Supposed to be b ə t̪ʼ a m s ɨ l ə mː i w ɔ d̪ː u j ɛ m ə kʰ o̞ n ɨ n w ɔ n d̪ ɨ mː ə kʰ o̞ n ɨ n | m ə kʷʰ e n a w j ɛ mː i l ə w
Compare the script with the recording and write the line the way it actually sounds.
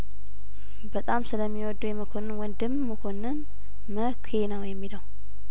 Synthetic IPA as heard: b ə t̪ʼ a m s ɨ l ə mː i w ɔ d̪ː u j ɛ m ə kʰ o̞ n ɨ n w ɔ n d̪ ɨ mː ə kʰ o̞ n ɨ n | m ə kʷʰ e n ə w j ɛ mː i l ə w